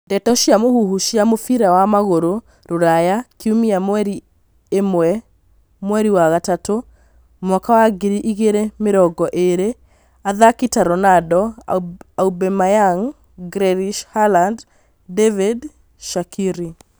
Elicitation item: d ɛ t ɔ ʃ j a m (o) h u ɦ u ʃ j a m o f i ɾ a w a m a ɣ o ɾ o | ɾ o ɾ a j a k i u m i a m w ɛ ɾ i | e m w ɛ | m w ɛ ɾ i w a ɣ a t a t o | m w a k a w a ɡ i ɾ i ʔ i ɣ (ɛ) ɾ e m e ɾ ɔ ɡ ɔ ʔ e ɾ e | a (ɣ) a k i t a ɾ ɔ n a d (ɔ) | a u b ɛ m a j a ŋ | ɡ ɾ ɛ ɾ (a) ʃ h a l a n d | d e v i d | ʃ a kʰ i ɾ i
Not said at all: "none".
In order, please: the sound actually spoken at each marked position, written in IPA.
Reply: o, e, ð, ɔ, i

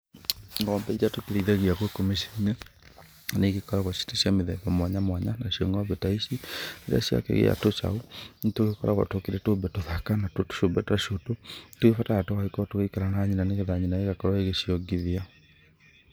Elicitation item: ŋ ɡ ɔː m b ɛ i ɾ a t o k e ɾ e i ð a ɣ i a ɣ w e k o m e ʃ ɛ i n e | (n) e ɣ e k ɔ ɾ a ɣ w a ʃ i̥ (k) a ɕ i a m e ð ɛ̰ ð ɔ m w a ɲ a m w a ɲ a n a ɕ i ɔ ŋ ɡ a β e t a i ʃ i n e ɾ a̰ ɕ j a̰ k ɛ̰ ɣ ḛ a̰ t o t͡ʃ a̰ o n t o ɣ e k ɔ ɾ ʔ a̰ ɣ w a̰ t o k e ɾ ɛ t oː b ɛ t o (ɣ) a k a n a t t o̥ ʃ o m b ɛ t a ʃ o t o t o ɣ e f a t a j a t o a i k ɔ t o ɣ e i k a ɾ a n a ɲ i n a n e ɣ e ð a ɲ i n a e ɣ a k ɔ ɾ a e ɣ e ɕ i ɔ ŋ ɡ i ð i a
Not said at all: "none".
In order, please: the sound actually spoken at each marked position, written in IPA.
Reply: n, t, ð

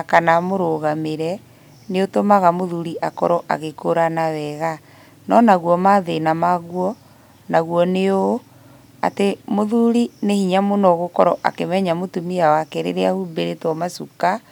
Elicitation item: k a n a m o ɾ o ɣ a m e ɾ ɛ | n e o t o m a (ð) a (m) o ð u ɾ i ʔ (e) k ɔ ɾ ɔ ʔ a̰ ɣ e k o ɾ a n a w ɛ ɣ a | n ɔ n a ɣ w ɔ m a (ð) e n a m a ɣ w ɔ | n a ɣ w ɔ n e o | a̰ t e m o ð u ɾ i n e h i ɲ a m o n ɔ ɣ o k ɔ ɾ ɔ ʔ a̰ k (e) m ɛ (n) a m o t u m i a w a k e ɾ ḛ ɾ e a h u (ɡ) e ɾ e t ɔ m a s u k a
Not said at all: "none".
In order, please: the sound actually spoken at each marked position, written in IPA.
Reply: ɣ, m, a, ð, e, ɲ, b

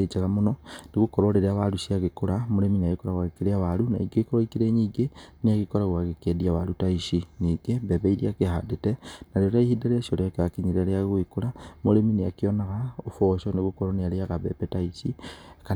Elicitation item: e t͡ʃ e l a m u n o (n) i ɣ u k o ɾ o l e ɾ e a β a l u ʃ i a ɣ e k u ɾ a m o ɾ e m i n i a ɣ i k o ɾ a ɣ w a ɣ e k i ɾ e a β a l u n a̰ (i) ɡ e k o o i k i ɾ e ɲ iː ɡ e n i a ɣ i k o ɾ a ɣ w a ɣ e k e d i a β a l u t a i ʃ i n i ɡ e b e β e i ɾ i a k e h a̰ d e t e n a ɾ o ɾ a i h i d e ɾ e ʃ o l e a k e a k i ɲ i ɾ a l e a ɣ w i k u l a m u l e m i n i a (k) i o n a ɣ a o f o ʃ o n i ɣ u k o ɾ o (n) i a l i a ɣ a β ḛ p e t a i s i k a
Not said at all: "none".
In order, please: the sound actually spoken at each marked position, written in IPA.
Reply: n, i, k, n

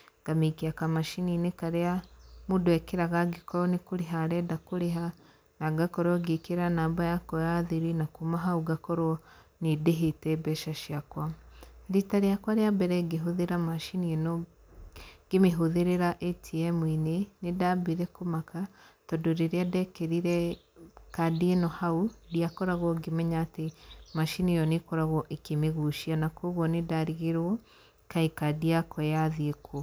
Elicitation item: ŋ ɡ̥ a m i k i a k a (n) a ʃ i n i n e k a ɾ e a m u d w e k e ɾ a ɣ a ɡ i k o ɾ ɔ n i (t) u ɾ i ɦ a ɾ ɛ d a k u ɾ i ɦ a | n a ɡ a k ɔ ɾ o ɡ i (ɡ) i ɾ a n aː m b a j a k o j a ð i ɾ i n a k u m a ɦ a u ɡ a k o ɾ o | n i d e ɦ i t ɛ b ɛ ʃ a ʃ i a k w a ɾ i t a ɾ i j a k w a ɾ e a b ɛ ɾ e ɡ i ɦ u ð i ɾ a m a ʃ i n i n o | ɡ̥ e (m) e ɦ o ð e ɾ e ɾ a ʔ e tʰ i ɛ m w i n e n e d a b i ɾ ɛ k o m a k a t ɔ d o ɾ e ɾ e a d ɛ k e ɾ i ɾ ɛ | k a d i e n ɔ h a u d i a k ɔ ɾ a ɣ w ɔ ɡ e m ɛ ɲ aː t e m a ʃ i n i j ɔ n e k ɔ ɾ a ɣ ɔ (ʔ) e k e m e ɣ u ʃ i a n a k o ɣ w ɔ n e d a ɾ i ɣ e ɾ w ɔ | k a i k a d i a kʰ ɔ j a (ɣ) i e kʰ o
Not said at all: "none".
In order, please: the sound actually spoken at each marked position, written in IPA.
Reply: m, k, k, m, ʔ, ð

